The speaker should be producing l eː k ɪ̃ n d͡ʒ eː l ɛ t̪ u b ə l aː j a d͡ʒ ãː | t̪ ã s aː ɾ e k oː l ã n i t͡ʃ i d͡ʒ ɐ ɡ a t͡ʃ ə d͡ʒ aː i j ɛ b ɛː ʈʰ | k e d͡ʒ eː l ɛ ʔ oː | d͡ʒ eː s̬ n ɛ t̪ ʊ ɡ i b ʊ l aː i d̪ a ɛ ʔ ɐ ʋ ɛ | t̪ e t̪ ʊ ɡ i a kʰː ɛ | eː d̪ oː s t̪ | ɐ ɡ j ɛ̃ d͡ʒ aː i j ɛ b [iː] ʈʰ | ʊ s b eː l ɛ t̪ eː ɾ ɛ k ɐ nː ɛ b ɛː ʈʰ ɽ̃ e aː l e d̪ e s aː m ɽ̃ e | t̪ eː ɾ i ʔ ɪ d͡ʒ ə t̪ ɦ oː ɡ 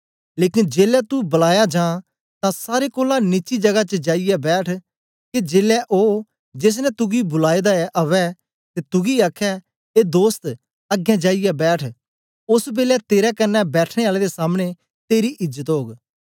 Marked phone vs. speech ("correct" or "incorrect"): incorrect